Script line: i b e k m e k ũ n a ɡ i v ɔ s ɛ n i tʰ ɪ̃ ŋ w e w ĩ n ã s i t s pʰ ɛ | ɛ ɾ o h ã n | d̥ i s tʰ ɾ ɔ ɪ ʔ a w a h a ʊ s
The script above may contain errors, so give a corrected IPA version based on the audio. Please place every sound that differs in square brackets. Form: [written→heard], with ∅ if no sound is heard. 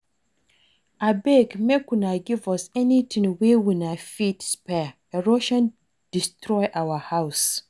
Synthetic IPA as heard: [i→a] b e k m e k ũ n a ɡ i v ɔ s ɛ n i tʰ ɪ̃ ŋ w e w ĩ n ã [s→f] i t s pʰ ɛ | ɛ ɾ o [h→ʃ] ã n | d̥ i s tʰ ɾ ɔ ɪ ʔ a w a h a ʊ s